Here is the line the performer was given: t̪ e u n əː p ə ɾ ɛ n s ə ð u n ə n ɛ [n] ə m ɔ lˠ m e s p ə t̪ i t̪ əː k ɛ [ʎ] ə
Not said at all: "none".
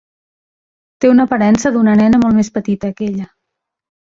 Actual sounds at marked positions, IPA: n, ʎ

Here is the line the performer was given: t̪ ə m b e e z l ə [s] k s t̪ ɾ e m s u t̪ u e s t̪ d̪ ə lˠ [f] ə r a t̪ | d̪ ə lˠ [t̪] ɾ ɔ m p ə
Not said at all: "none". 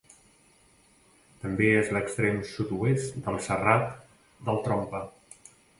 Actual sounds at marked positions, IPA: none, s, t̪

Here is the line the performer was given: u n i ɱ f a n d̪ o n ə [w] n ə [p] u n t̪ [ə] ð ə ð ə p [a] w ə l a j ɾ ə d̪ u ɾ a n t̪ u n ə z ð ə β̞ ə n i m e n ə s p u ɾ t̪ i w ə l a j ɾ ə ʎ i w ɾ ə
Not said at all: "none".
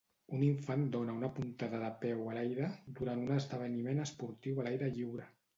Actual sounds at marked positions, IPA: u, p, a, ɛ

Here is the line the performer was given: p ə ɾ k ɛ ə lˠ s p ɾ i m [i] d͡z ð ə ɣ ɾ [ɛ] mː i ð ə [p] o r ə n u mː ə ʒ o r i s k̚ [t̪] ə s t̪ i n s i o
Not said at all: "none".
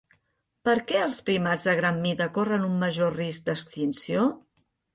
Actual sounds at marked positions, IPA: a, a, k, d̪

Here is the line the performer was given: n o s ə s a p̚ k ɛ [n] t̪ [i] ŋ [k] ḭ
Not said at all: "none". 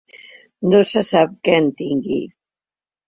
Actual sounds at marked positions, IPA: n, i, ɡ

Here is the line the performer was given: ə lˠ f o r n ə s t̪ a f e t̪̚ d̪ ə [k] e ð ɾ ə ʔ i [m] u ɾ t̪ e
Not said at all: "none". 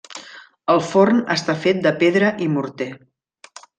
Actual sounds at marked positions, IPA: p, m

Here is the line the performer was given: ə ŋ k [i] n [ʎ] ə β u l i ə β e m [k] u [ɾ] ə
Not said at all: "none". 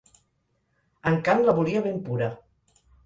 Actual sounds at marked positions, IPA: a, l, p, ɾ

